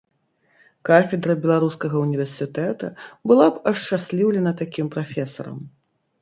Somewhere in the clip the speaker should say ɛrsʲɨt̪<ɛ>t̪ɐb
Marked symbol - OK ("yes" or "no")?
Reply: yes